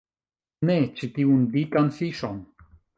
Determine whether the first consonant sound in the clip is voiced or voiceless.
voiced